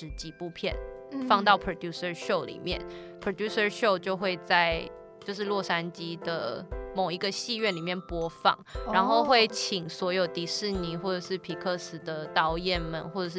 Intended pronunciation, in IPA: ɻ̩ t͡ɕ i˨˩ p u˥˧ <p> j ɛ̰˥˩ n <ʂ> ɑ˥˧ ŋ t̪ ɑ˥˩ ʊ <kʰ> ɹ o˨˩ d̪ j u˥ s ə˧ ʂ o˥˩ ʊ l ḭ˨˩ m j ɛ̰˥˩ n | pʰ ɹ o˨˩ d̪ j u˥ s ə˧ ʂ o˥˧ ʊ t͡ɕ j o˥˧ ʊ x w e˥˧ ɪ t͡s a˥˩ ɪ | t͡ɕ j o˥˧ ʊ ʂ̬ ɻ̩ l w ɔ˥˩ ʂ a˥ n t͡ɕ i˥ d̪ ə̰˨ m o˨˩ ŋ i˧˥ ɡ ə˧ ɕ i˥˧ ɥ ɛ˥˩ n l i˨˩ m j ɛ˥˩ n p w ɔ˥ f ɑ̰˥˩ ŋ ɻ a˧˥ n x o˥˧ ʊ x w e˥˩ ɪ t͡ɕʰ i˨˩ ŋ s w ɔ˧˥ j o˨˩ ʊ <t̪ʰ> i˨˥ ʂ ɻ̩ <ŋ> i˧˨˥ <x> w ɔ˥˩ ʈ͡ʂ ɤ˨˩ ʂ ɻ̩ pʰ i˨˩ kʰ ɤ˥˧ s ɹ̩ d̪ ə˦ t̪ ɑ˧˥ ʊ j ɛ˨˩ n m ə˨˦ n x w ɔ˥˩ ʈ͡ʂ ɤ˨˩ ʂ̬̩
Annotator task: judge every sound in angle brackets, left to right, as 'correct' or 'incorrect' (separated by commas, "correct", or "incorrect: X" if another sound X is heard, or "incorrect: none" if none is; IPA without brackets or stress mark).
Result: incorrect: pʰ, incorrect: f, incorrect: pʰ, incorrect: t̪, incorrect: n, correct